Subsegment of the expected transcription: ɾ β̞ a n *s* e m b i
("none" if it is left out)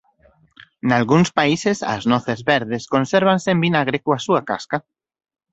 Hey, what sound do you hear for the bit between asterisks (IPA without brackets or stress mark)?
s